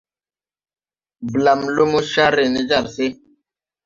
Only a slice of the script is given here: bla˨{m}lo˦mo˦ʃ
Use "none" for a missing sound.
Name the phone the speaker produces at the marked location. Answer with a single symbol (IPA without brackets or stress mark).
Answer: m